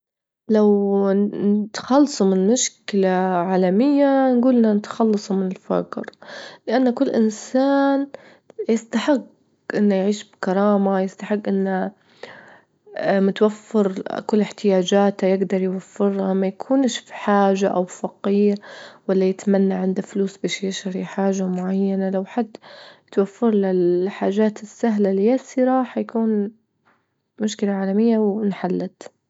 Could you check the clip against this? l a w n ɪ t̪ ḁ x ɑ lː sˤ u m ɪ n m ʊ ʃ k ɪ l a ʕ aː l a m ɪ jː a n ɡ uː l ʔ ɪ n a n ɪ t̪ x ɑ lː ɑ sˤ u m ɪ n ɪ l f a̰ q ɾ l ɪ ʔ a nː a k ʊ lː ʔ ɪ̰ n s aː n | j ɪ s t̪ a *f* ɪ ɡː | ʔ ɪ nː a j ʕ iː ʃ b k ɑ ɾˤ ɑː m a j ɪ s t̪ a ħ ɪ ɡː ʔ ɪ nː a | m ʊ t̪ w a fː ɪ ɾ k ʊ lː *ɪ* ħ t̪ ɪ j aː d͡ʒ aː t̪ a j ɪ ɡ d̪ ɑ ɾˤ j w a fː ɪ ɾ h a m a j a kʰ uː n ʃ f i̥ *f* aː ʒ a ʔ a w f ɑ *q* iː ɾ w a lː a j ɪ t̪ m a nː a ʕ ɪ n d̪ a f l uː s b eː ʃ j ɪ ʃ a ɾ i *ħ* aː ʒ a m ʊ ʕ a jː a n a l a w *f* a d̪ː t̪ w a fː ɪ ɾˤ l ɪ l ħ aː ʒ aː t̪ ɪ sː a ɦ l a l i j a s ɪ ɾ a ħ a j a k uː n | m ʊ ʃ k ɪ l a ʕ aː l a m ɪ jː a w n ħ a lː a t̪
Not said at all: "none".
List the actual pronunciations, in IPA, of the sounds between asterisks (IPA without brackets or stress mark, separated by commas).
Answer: ħ, ɪ, ħ, q, ħ, ħ